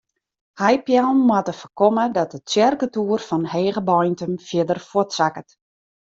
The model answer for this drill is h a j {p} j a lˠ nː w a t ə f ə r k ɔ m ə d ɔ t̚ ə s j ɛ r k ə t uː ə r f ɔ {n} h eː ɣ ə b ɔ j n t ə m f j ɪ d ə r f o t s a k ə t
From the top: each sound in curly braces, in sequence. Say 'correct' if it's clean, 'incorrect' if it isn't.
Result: correct, correct

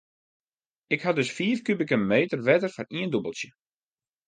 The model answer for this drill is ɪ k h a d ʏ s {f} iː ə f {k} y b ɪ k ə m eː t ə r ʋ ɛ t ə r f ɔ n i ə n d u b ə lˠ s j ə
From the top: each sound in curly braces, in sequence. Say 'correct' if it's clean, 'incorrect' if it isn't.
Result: correct, correct

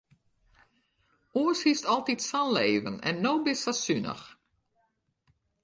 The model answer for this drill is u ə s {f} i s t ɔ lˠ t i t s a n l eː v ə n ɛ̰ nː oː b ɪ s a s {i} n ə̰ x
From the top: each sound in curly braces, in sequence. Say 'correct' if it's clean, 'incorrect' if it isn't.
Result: incorrect: h, incorrect: y

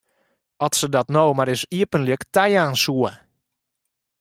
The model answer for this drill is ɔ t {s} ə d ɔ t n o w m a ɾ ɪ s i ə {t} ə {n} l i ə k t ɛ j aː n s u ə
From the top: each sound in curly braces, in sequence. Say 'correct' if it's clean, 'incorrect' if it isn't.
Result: correct, incorrect: p, correct

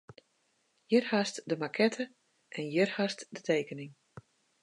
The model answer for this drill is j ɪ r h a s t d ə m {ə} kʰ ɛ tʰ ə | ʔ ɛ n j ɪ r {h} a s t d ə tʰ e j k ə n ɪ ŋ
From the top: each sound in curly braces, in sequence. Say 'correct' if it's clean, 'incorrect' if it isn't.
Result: incorrect: a, correct

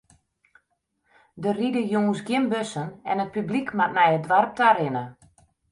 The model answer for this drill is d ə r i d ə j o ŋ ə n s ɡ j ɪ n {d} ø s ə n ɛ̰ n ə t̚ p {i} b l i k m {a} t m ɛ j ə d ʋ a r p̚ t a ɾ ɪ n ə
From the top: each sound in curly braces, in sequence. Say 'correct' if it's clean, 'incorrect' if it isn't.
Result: incorrect: b, incorrect: y, correct

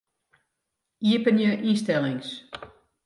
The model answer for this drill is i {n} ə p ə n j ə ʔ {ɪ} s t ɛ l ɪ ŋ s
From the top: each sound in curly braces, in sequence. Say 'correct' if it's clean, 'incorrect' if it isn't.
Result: incorrect: none, incorrect: i

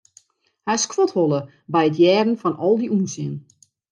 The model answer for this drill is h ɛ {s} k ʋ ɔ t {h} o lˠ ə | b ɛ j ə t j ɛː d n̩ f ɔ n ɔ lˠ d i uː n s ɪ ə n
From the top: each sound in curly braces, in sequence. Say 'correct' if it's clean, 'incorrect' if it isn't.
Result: correct, correct

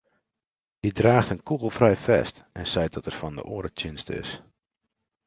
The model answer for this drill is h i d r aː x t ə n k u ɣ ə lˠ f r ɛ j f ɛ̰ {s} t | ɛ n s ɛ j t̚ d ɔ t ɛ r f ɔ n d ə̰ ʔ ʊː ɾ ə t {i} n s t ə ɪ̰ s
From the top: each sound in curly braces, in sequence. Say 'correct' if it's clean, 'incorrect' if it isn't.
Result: correct, incorrect: ɪ

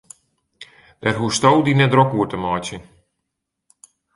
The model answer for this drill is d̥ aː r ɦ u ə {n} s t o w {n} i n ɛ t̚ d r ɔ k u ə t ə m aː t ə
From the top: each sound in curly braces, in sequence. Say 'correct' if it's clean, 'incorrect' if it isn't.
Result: incorrect: none, incorrect: d

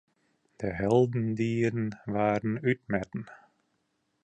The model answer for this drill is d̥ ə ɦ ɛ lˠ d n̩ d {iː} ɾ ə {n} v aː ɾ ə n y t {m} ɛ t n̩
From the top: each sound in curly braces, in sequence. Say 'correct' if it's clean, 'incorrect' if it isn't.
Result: correct, correct, correct

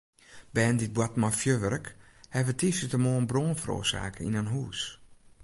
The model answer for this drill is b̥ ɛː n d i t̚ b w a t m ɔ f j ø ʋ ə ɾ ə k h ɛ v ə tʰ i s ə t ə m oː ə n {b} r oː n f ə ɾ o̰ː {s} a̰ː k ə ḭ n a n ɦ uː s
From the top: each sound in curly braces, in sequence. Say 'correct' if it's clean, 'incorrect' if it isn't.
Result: correct, correct

